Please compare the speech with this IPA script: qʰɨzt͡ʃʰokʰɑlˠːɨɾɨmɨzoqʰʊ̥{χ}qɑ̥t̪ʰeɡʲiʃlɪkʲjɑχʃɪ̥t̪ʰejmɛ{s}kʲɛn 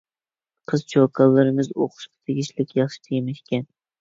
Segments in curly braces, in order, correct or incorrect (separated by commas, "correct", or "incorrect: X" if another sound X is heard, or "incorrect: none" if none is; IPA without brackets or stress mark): incorrect: ʃ, incorrect: ʃ